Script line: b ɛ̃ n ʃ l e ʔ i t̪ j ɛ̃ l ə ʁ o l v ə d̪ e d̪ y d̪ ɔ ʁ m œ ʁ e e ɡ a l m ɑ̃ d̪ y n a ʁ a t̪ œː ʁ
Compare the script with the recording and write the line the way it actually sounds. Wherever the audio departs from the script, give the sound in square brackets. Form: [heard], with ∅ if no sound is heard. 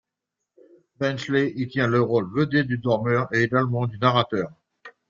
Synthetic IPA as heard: b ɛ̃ n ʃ l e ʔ i t̪ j ɛ̃ l ə ʁ o l v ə d̪ e d̪ y d̪ ɔ ʁ m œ ʁ e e ɡ a l m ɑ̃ d̪ y n a ʁ a t̪ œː ʁ